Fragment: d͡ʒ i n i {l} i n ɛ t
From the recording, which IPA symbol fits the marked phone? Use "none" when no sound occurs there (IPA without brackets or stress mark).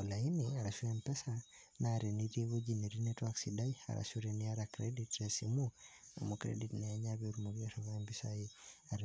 ɾ